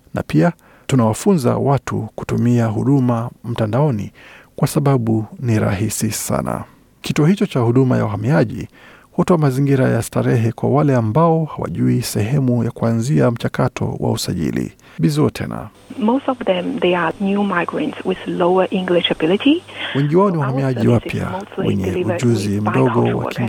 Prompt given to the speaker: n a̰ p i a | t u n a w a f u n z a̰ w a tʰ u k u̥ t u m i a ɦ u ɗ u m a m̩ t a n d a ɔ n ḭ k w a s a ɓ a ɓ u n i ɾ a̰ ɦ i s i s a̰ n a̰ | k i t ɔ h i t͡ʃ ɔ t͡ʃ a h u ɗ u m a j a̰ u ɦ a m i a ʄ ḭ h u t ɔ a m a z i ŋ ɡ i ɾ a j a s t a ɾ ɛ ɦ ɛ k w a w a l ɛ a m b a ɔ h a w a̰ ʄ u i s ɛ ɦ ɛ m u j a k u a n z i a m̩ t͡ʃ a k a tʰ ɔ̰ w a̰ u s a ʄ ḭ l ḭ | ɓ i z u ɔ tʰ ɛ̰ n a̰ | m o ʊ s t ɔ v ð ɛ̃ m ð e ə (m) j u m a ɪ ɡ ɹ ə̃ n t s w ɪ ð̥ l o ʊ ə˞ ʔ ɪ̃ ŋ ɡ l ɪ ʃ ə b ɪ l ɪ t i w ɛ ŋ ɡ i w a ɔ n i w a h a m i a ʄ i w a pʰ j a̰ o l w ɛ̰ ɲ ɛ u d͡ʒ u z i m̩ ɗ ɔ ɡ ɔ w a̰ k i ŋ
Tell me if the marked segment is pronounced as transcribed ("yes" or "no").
no